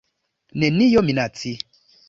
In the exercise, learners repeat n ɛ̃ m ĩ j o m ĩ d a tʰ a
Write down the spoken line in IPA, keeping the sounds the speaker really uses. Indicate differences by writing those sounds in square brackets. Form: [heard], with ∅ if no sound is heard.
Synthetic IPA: n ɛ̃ [n] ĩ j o m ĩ [n] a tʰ [i]